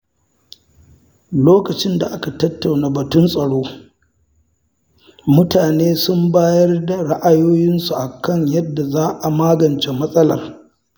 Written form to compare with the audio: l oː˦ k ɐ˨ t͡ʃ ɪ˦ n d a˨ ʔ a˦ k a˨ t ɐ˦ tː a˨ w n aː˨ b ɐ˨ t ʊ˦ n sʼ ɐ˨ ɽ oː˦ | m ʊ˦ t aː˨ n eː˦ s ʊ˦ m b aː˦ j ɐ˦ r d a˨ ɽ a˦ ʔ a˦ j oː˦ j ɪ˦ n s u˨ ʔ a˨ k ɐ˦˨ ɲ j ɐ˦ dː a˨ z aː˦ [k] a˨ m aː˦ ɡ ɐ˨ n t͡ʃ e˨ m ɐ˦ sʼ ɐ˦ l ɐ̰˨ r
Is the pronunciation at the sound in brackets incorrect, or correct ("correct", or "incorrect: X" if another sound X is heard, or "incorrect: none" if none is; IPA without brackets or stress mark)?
incorrect: ʔ